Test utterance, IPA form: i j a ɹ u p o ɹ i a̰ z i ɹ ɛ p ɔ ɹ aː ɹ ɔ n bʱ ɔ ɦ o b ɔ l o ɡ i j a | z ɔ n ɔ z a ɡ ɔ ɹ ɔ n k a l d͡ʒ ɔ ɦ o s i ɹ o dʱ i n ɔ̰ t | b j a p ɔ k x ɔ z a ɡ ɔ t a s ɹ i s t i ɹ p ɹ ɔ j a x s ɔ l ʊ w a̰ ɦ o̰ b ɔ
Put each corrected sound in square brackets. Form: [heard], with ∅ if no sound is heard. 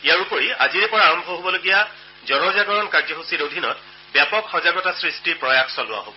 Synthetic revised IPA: i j a ɹ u p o ɹ i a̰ z i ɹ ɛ p ɔ ɹ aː ɹ ɔ [m] bʱ ɔ ɦ o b ɔ l o ɡ i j a | z ɔ n ɔ z a ɡ ɔ ɹ ɔ n k a [ɹ] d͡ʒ ɔ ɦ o s i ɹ o dʱ i n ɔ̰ t | b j a p ɔ k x ɔ z a ɡ ɔ t a s ɹ i s t i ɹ p ɹ ɔ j a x s ɔ l ʊ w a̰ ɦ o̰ b ɔ